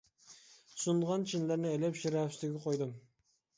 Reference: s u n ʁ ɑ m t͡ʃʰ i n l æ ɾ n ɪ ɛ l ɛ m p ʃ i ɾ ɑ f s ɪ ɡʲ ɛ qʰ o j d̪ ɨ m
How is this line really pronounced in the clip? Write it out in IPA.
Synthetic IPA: s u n ʁ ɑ n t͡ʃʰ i n l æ ɾ n ɪ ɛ l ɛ p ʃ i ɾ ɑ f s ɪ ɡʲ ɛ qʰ o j d̪ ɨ m